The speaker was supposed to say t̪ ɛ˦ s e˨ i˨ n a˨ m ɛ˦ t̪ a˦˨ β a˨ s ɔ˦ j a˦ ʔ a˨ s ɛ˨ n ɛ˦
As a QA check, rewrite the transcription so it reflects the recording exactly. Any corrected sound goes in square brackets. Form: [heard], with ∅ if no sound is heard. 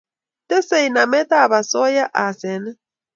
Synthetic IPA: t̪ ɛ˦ s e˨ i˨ n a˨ m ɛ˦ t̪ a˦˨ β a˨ s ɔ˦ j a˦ ʔ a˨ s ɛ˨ n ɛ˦